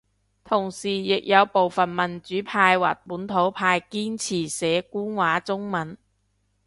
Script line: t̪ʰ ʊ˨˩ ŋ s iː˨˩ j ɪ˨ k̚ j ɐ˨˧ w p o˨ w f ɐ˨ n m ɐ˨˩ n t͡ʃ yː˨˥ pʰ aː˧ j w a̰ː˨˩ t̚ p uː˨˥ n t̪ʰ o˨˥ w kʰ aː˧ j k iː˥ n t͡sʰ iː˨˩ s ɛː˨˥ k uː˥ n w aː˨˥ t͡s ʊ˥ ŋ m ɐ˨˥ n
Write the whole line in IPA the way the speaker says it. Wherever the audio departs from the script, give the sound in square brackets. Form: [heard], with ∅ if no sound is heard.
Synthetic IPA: t̪ʰ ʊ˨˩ ŋ s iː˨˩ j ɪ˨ k̚ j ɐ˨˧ w p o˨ w f ɐ˨ n m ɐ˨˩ n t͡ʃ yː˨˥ pʰ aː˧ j w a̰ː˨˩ t̚ p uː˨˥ n t̪ʰ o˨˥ w [pʰ] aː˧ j k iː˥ n t͡sʰ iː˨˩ s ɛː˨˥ k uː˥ n w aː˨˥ t͡s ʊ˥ ŋ m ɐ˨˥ n